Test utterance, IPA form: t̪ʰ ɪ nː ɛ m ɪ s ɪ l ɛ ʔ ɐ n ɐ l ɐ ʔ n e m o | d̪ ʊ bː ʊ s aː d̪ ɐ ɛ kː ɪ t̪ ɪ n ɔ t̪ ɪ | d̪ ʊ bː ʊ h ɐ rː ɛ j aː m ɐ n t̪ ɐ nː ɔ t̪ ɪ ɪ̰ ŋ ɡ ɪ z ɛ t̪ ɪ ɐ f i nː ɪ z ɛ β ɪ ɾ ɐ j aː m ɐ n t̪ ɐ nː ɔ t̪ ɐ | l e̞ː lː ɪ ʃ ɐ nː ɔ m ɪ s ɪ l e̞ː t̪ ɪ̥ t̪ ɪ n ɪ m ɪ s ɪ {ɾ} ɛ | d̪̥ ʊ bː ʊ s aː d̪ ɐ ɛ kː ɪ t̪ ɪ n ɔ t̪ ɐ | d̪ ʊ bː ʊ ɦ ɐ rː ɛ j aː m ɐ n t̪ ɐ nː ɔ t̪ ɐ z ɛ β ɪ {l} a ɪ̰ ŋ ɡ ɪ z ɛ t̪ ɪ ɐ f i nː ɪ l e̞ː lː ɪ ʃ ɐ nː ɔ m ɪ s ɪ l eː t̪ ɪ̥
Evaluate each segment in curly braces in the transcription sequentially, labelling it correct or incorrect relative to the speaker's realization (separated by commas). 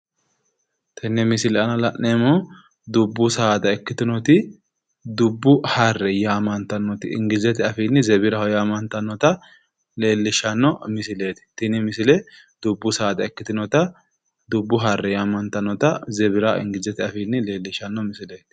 incorrect, incorrect